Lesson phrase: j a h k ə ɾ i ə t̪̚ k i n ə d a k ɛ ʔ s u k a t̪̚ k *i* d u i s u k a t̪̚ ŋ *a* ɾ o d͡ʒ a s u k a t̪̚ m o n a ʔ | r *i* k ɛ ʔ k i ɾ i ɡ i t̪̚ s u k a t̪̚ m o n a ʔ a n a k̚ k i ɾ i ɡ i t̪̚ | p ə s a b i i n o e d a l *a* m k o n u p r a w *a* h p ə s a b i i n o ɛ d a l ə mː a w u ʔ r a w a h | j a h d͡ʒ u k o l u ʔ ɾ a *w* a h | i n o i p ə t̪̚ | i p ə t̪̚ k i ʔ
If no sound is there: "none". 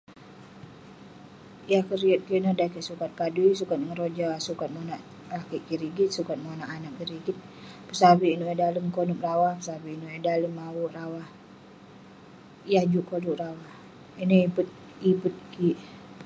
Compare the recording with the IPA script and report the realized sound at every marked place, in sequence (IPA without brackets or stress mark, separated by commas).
a, ə, a, ə, a, w